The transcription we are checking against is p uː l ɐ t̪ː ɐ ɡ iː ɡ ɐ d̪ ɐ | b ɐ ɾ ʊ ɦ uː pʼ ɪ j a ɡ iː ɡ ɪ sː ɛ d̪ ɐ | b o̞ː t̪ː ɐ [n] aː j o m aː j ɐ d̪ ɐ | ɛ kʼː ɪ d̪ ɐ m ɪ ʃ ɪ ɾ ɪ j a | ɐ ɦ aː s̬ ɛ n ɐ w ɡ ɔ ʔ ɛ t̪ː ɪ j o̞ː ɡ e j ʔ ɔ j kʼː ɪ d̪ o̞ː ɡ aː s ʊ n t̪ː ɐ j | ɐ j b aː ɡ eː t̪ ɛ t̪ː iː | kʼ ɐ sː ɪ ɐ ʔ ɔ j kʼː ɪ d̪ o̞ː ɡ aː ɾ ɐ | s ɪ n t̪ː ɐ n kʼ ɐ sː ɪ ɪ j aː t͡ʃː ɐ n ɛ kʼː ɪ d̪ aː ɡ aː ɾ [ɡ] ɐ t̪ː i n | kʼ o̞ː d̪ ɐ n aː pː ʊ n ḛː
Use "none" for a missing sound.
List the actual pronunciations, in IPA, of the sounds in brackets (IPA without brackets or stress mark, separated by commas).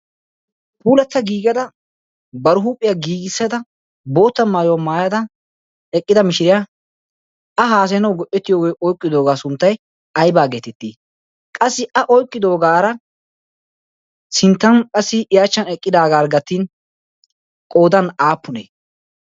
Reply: m, ɡ